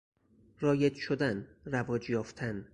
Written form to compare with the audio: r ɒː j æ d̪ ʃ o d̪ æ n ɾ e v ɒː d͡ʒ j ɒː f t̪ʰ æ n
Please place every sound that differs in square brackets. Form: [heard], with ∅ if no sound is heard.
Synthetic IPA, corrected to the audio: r ɒː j [e] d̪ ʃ o d̪ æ n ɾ [æ] v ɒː d͡ʒ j ɒː f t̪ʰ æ n